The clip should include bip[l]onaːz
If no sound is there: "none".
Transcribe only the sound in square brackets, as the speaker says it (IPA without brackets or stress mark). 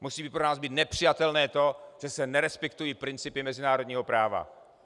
ɾ